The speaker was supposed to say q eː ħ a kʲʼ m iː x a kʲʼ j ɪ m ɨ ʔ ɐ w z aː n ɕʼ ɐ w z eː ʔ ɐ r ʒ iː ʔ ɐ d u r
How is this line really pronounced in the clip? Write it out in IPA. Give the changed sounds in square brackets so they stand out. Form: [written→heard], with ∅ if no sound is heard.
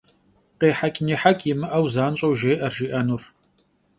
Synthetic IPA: q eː ħ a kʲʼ [m→n] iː [x→ħ] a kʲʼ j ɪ m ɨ ʔ ɐ w z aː n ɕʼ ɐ w [z→ʒ] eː ʔ ɐ r ʒ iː ʔ ɐ [d→n] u r